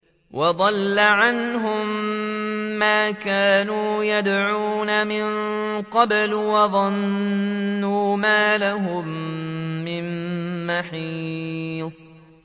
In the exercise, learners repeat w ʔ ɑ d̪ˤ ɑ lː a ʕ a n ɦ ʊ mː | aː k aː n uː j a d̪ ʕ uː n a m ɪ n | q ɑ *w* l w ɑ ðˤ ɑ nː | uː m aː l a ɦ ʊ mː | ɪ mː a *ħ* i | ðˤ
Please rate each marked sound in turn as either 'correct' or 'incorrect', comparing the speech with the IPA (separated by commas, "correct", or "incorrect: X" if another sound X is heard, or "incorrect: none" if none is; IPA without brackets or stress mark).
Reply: incorrect: b, correct